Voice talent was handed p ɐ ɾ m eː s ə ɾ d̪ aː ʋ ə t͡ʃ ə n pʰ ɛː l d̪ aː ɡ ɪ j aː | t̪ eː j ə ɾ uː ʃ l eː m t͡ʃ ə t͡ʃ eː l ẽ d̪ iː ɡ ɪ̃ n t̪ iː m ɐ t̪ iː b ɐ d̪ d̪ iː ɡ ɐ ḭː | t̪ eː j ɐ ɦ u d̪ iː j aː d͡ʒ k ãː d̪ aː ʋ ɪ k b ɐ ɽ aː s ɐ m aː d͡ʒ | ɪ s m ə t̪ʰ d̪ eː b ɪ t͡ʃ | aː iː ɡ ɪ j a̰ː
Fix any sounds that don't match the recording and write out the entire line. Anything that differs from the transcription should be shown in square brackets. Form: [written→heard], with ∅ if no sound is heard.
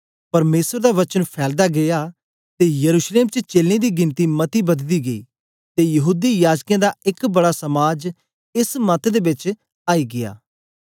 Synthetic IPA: p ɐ ɾ m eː s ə ɾ d̪ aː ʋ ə t͡ʃ ə n pʰ ɛː l d̪ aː ɡ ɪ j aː | t̪ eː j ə ɾ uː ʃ l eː m t͡ʃ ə t͡ʃ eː l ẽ d̪ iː ɡ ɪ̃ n t̪ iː m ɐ t̪ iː b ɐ d̪ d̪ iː ɡ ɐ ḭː | t̪ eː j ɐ ɦ [u→uː] d̪ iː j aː d͡ʒ k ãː d̪ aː [ʋ→∅] ɪ k b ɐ ɽ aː s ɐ m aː d͡ʒ | ɪ s m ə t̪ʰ d̪ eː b ɪ t͡ʃ | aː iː ɡ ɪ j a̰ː